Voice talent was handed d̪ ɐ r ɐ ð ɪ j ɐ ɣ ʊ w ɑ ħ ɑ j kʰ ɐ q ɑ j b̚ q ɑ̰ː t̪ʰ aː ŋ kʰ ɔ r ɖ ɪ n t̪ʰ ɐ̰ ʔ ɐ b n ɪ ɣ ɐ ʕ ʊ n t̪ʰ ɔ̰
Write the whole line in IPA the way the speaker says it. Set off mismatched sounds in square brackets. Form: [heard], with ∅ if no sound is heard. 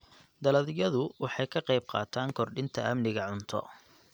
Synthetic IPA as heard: d̪ ɐ [l] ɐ ð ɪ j ɐ [ð] ʊ w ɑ ħ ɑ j kʰ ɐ q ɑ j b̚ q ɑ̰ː t̪ʰ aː ŋ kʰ ɔ r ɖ ɪ n t̪ʰ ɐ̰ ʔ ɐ [m] n ɪ ɣ ɐ ʕ ʊ n t̪ʰ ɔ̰